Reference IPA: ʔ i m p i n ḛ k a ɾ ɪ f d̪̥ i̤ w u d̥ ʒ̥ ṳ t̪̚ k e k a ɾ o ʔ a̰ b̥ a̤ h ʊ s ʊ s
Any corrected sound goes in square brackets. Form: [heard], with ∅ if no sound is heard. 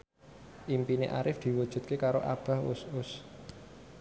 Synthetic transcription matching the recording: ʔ i m p i n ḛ [ʔ] a ɾ ɪ f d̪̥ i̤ w u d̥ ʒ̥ ṳ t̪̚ k e k a ɾ o ʔ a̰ b̥ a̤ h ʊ s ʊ s